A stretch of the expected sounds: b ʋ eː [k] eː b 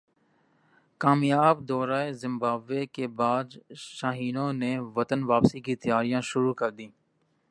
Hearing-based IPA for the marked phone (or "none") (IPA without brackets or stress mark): k